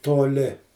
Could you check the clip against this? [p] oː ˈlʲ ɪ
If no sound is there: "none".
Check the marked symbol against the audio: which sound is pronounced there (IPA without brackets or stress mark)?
t